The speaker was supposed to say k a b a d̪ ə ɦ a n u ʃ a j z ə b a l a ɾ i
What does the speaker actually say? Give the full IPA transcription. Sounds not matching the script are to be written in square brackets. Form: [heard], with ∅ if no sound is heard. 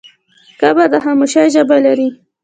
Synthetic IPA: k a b a d̪ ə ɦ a [m] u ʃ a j [ʒ] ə b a l a ɾ i